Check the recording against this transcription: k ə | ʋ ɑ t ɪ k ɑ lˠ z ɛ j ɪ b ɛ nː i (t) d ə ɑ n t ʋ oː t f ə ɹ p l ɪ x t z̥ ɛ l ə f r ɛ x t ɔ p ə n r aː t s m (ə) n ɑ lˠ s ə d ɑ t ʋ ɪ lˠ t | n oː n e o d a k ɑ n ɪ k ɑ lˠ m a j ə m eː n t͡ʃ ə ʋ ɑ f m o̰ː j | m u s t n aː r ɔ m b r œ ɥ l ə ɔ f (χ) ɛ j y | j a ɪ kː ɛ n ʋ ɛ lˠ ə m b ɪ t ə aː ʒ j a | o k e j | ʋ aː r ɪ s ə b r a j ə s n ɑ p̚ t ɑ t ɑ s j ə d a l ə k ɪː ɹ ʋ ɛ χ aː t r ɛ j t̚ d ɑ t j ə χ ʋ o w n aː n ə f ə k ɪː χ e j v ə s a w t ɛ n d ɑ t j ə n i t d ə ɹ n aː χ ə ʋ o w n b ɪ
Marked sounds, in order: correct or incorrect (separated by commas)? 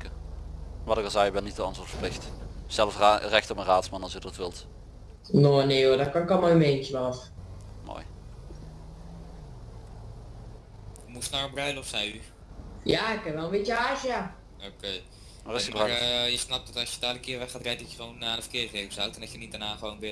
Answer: correct, incorrect, incorrect